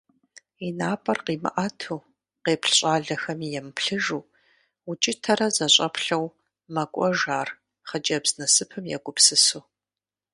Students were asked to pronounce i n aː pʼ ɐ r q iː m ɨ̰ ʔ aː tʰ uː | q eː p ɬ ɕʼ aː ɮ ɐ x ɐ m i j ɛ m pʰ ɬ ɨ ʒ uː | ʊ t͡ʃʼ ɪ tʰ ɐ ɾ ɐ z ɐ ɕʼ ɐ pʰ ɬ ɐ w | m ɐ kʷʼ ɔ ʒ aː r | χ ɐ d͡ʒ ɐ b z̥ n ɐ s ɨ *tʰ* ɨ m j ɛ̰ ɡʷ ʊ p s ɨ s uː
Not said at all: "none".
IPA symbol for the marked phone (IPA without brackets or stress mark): pʰ